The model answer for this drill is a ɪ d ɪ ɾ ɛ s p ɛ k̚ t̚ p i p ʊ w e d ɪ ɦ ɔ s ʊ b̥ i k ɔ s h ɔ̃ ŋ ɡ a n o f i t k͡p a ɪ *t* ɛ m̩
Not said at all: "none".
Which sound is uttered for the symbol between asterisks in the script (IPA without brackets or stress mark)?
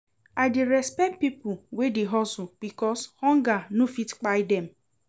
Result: d